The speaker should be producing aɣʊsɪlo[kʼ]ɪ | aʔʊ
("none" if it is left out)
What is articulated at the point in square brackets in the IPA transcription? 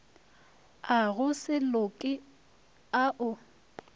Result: kʼ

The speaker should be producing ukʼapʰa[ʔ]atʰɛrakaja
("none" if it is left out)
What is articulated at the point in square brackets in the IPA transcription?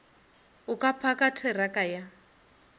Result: k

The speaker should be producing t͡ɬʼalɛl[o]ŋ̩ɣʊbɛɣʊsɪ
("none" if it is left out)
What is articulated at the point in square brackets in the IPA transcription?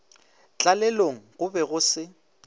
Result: o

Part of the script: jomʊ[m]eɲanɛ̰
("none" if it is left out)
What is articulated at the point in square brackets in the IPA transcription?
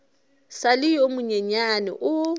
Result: ɲ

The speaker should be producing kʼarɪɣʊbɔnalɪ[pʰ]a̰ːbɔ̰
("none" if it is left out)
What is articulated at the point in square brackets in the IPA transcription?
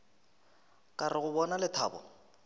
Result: tʰ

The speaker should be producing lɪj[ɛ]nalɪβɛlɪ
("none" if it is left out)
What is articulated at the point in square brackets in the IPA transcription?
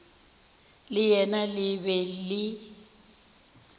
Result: ɛ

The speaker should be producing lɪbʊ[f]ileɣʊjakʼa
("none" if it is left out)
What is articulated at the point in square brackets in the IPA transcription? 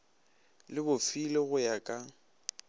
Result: f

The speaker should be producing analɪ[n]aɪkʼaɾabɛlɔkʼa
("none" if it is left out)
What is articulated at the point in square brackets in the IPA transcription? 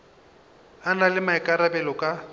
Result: m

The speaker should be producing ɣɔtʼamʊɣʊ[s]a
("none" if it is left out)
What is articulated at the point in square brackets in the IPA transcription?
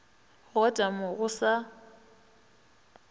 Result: s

